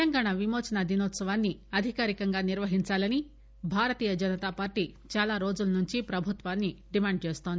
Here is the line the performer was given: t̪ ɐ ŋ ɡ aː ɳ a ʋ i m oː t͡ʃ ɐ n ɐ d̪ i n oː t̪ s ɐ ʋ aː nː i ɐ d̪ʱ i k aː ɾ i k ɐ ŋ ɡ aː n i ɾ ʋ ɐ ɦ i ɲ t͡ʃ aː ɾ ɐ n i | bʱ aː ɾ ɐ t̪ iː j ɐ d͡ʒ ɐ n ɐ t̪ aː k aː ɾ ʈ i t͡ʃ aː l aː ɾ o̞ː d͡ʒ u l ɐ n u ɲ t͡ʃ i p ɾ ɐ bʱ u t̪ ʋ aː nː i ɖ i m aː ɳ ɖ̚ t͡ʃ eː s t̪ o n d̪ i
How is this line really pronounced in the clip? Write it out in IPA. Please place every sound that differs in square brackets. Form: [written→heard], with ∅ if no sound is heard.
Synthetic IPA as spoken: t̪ ɐ ŋ ɡ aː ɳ a ʋ i m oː t͡ʃ ɐ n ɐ d̪ i n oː t̪ s ɐ ʋ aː nː i ɐ d̪ʱ i k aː ɾ i k ɐ ŋ ɡ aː n i ɾ ʋ ɐ ɦ i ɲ t͡ʃ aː [ɾ→l] ɐ n i | bʱ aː ɾ ɐ t̪ iː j ɐ d͡ʒ ɐ n ɐ t̪ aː [k→p] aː ɾ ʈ i t͡ʃ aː l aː ɾ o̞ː d͡ʒ u l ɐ n u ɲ t͡ʃ i p ɾ ɐ bʱ u t̪ ʋ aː nː i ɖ i m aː ɳ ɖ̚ t͡ʃ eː s t̪ o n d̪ i